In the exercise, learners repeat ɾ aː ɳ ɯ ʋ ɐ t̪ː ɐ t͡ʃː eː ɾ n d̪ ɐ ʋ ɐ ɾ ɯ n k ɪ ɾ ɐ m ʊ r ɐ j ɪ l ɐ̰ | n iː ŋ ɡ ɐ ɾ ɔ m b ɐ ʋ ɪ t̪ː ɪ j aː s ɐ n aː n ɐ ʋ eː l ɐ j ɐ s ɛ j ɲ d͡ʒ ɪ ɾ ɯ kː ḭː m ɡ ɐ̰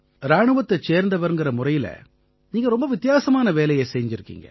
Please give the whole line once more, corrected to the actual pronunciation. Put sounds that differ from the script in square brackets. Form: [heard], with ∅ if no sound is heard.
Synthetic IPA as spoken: ɾ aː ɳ ɯ ʋ ɐ t̪ː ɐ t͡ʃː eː ɾ n d̪ ɐ ʋ ɐ ɾ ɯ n [ɡ] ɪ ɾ ɐ m ʊ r ɐ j ɪ l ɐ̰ | n iː ŋ ɡ ɐ ɾ ɔ m b ɐ ʋ ɪ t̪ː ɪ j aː s ɐ [m] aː n ɐ ʋ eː l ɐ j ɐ s ɛ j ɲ d͡ʒ ɪ ɾ ɯ kː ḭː [ŋ] ɡ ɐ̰